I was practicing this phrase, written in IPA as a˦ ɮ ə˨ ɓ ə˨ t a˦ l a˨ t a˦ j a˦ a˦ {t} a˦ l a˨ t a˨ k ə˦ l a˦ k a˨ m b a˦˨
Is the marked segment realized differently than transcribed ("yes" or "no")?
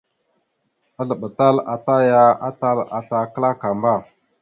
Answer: no